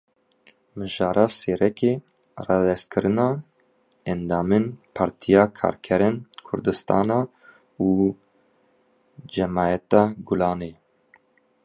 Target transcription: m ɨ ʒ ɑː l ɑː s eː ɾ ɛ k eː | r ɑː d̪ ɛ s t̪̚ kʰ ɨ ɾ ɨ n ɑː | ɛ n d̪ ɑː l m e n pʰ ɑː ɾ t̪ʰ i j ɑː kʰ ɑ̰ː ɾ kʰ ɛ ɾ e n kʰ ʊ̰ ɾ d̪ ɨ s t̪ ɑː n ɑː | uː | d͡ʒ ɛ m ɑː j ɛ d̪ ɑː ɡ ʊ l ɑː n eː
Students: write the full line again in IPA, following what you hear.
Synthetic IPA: m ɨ ʒ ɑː ɾ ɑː s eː ɾ ɛ k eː | r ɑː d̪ ɛ s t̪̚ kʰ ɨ ɾ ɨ n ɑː | ɛ n d̪ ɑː m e n pʰ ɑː ɾ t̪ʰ i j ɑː kʰ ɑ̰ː ɾ kʰ ɛ ɾ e n kʰ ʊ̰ ɾ d̪ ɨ s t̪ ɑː n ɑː | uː | d͡ʒ ɛ m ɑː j ɛ t̪ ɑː ɡ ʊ l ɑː n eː